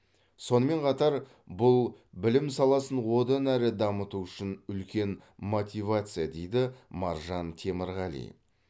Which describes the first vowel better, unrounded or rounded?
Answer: rounded